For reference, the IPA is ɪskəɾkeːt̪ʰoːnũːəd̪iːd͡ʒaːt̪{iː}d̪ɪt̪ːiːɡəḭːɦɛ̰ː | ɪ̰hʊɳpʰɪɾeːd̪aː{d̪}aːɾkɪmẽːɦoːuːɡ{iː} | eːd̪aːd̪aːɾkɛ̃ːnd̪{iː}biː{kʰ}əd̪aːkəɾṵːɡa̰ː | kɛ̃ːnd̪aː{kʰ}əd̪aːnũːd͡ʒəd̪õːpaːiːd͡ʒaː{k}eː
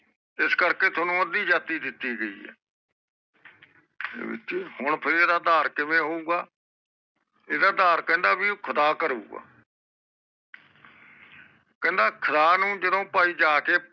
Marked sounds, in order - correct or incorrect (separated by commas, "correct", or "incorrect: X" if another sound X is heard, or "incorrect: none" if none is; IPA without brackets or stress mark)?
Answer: correct, correct, incorrect: aː, incorrect: aː, correct, correct, correct